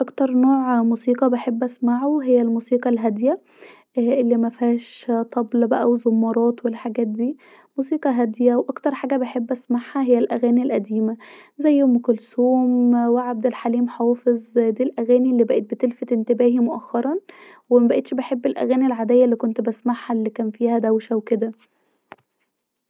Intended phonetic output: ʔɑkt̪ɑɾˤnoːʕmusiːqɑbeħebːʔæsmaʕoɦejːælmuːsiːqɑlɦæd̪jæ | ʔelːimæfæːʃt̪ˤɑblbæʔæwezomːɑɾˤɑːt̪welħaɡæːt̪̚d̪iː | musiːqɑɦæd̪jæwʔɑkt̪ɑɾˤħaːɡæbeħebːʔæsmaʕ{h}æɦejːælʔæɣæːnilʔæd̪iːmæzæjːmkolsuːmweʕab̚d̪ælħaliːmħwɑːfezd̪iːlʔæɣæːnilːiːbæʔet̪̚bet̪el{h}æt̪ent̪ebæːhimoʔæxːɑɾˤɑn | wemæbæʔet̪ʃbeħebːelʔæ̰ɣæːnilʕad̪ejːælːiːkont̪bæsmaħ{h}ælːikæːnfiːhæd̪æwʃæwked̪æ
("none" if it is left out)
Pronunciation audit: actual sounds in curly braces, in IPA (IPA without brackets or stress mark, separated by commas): h, f, h